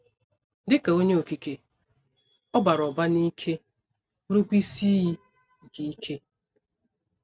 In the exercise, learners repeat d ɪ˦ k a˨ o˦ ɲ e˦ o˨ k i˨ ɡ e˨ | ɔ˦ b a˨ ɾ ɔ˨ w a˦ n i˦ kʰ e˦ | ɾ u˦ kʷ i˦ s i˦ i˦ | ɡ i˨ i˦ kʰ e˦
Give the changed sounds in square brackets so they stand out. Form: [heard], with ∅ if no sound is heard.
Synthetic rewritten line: d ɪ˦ k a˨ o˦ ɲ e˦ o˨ k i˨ [k] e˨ | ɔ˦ b a˨ ɾ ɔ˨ [b] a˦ n i˦ kʰ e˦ | ɾ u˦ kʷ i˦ s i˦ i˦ | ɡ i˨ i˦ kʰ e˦

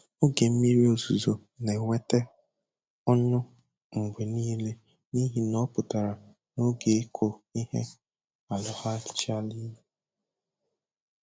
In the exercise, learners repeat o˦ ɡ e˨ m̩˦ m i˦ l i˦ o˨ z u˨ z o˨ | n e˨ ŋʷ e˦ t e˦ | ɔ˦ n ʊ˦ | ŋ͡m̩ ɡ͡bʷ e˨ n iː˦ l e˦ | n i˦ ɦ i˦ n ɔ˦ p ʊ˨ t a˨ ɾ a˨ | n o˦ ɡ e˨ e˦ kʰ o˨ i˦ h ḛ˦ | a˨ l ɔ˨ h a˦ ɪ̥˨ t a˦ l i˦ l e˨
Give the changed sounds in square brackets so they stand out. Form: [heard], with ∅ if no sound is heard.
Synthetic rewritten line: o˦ ɡ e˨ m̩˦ m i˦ [ɾ] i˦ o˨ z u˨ z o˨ | n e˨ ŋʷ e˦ t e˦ | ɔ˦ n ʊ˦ | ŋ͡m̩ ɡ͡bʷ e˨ n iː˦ l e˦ | n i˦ ɦ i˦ n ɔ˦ p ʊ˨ t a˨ ɾ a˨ | n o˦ ɡ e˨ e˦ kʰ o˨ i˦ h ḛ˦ | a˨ l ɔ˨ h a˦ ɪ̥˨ [t͡ʃ] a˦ l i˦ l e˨

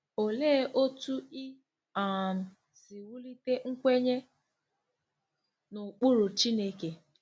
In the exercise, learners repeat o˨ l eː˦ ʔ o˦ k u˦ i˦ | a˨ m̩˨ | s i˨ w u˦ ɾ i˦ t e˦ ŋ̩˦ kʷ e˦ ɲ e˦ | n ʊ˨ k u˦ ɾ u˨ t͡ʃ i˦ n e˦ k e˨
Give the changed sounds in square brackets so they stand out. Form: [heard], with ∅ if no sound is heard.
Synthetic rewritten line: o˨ l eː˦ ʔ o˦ [t] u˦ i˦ | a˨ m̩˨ | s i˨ w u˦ [l] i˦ t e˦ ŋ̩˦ kʷ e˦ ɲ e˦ | n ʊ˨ [k͡p] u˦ ɾ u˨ t͡ʃ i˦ n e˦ k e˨

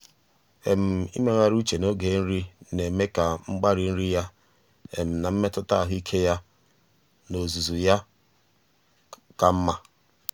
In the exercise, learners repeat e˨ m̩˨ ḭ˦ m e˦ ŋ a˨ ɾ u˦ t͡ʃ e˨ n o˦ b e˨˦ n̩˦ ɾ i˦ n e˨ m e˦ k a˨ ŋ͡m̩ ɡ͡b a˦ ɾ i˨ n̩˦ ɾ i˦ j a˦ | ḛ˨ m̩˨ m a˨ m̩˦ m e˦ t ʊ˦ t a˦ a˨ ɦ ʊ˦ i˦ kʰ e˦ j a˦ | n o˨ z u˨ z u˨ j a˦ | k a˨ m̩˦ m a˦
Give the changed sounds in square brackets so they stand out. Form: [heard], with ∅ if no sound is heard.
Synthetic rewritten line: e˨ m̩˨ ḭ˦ m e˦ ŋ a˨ ɾ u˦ t͡ʃ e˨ n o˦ [ɡ] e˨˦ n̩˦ ɾ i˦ n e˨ m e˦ k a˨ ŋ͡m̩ ɡ͡b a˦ ɾ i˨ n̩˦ ɾ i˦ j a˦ | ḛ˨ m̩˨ [n] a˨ m̩˦ m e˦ t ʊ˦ t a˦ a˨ ɦ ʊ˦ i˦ kʰ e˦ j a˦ | n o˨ z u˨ z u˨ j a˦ | k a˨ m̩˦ m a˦

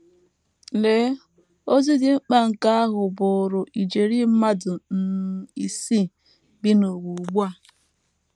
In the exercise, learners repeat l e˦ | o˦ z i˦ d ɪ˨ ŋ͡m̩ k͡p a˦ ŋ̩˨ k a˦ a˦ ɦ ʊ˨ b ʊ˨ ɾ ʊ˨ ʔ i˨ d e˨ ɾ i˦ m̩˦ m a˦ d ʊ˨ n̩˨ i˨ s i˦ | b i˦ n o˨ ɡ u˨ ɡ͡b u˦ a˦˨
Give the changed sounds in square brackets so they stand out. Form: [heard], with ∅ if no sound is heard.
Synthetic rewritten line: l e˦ | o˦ z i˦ d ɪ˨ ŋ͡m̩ k͡p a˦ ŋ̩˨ k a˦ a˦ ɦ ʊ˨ b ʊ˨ ɾ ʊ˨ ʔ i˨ [d͡ʒ] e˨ ɾ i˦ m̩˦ m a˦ d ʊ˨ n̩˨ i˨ s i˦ | b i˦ n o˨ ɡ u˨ ɡ͡b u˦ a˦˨

